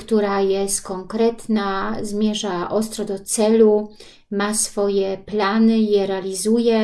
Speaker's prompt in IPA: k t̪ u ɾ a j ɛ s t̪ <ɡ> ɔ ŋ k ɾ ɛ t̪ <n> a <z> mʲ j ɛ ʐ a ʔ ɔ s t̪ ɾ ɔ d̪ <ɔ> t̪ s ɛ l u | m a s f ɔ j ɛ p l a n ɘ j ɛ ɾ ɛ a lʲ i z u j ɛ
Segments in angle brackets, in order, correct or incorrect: incorrect, correct, correct, correct

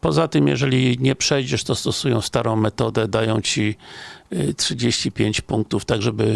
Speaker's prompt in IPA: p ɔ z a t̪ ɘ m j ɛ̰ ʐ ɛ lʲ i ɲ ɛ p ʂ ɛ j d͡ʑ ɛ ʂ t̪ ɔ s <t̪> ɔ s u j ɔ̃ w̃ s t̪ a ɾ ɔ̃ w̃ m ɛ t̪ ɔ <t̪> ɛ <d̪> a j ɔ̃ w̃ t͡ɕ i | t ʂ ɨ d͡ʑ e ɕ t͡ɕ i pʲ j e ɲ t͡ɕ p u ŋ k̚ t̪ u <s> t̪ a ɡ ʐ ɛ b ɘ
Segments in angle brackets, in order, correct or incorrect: correct, incorrect, correct, incorrect

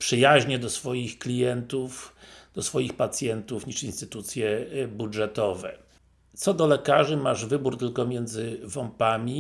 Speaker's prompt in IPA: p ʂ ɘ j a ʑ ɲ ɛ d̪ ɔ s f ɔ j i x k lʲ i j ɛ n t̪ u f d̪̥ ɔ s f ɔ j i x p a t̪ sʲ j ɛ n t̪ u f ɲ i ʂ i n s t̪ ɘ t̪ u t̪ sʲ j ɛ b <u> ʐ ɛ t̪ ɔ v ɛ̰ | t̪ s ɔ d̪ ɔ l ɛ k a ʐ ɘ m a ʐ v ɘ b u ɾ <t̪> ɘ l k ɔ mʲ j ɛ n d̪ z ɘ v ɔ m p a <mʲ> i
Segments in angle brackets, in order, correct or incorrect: correct, correct, correct

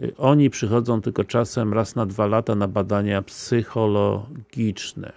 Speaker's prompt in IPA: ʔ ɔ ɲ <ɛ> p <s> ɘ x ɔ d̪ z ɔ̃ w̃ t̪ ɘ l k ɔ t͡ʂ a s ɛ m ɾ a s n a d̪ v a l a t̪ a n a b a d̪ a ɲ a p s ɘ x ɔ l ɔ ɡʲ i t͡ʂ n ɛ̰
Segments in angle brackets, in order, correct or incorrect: incorrect, incorrect

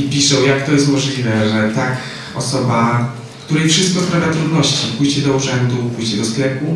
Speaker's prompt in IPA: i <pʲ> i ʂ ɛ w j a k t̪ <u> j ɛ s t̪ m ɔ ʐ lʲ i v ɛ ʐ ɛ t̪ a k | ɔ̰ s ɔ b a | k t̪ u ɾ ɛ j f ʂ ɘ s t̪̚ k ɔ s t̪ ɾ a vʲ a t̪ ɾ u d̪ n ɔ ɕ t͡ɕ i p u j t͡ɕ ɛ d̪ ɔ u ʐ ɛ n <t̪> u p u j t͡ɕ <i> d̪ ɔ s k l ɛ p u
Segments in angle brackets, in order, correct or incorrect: correct, incorrect, incorrect, incorrect

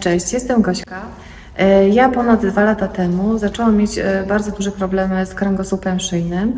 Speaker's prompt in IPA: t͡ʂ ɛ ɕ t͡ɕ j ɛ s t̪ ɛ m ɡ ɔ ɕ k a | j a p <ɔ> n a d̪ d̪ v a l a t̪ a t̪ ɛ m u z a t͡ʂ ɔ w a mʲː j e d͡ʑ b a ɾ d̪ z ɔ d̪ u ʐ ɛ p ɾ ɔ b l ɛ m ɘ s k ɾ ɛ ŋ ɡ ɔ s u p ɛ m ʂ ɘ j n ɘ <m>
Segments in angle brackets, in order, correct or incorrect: correct, correct

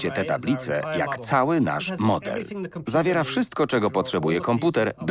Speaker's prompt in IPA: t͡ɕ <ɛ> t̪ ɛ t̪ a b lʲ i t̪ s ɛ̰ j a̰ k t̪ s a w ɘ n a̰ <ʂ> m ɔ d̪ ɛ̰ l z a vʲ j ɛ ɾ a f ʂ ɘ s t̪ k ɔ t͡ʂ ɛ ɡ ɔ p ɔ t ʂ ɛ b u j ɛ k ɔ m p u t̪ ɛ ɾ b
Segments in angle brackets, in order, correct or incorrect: correct, correct

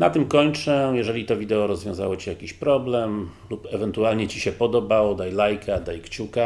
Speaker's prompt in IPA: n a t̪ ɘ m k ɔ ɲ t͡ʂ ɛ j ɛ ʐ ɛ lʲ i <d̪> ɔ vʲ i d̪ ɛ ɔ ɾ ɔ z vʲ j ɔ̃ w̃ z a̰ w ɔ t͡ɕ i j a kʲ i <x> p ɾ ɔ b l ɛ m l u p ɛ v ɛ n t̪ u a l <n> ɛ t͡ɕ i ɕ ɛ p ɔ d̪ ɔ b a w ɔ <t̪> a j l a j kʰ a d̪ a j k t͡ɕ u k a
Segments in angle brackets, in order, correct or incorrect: incorrect, incorrect, incorrect, incorrect

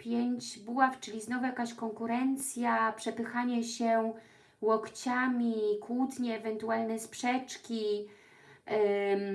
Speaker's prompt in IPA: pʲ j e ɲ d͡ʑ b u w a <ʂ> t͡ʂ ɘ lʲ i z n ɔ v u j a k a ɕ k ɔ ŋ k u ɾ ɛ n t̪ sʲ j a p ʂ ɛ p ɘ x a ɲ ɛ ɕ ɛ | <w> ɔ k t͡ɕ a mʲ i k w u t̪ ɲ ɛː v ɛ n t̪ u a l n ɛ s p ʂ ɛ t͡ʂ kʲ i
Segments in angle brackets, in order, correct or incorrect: incorrect, correct

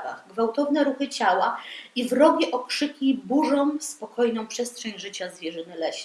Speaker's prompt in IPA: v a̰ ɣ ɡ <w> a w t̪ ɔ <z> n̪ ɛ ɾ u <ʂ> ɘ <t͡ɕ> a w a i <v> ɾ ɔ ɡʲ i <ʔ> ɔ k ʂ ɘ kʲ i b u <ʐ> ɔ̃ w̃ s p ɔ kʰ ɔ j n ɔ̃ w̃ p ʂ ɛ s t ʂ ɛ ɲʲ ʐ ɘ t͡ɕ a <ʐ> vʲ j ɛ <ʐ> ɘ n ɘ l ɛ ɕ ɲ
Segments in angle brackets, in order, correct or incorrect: incorrect, incorrect, incorrect, correct, correct, correct, correct, incorrect, correct

